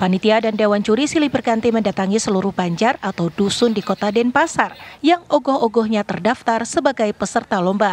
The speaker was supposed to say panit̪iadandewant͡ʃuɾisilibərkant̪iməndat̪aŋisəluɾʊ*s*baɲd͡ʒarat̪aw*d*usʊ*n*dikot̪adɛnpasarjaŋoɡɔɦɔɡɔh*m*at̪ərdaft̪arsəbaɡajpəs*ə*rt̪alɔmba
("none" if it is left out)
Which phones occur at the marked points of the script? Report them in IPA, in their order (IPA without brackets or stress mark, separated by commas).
h, d, n, ɲ, ə